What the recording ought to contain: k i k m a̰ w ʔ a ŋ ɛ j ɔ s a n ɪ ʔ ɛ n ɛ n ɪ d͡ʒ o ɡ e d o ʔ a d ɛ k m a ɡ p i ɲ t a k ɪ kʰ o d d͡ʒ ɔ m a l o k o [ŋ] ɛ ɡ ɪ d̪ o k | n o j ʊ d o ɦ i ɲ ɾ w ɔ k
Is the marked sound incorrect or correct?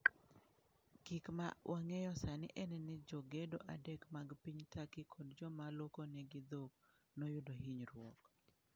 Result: incorrect